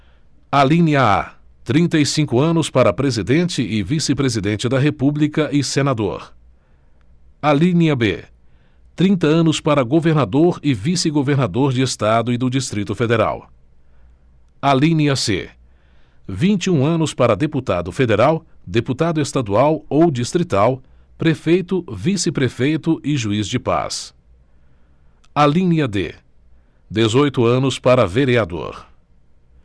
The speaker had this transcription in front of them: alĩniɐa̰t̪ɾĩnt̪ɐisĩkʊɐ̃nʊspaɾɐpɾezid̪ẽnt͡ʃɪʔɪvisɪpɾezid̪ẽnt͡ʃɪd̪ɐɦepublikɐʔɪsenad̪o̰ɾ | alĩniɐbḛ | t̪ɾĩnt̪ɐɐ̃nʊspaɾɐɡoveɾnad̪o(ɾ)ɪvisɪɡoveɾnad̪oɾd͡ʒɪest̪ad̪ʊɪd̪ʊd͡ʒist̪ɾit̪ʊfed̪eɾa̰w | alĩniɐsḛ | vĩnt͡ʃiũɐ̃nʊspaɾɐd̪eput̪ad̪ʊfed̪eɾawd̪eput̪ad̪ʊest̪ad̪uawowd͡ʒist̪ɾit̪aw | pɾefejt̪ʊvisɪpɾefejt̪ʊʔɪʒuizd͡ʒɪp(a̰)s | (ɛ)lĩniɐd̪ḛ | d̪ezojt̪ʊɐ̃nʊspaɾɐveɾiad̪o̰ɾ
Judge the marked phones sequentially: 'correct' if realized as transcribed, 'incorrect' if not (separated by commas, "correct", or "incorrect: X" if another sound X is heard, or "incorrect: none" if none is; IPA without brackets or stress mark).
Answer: correct, correct, incorrect: a